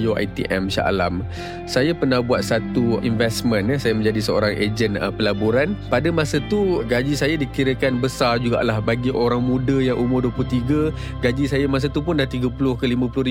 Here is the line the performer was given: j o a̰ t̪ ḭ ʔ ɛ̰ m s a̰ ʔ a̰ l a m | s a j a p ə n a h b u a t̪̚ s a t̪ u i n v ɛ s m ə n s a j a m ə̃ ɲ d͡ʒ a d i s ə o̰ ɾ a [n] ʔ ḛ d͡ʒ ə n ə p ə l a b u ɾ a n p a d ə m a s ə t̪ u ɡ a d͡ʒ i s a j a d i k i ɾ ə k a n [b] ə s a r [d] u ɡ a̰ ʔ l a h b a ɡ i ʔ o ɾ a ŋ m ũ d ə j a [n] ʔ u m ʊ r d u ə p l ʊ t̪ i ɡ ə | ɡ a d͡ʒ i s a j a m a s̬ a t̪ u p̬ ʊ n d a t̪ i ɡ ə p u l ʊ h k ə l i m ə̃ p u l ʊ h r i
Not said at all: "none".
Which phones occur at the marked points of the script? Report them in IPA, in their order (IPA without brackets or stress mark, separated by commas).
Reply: ŋ, b, d͡ʒ, ŋ